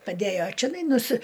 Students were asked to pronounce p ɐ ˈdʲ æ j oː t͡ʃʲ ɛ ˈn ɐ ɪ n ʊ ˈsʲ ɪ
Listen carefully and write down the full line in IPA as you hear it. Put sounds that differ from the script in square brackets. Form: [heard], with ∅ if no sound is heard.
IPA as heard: p ɐ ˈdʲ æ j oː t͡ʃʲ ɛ ˈn ɐ ɪ n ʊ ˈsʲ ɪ